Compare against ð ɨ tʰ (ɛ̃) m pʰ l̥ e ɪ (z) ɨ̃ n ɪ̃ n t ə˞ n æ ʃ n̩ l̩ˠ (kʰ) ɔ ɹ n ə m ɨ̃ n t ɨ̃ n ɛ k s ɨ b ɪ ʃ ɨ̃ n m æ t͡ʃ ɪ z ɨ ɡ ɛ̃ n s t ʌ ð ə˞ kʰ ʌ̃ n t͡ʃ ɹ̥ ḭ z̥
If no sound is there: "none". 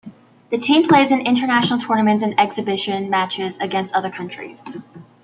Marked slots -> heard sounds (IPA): ĩ, z, tʰ

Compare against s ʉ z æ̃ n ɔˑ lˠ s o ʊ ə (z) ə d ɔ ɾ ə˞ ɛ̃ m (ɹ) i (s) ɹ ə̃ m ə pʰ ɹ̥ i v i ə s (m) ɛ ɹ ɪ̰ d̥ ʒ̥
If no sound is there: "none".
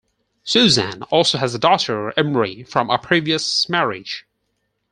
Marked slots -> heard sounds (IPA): z, ɹ, f, m

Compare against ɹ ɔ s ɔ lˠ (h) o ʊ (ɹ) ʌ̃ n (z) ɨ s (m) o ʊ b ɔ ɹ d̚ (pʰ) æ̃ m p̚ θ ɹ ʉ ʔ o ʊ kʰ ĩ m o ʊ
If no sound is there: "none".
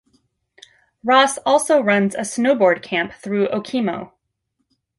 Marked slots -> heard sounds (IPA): s, ɹ, z, n, kʰ

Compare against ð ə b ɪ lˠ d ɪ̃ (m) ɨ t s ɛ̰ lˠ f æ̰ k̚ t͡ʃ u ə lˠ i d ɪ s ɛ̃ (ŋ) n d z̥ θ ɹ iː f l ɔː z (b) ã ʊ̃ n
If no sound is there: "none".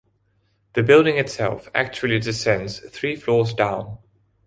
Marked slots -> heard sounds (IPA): ŋ, none, d

